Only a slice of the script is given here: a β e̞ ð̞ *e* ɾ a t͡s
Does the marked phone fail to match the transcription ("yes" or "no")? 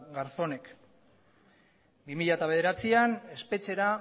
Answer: no